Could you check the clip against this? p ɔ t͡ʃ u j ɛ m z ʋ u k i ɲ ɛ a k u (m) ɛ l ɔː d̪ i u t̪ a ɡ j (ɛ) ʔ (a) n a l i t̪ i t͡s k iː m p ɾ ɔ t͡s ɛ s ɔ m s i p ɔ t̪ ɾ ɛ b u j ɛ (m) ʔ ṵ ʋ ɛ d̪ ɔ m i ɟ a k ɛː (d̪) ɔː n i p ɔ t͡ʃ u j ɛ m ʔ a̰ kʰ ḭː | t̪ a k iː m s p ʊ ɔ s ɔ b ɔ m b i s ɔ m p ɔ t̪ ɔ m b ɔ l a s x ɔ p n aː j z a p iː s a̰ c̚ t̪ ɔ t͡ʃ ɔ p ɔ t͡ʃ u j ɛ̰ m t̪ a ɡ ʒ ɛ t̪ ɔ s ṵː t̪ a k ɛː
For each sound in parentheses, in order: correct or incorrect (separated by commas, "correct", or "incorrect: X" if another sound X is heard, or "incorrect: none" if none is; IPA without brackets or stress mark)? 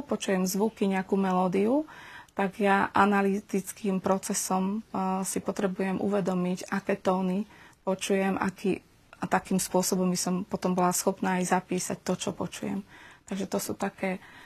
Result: correct, incorrect: a, correct, correct, incorrect: t̪